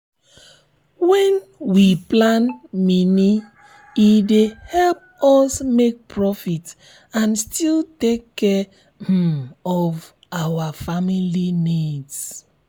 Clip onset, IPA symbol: w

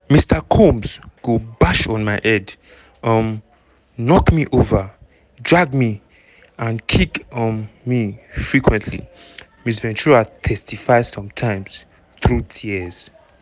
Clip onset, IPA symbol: m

